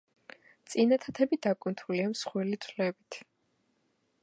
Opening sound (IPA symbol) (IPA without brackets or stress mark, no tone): t̪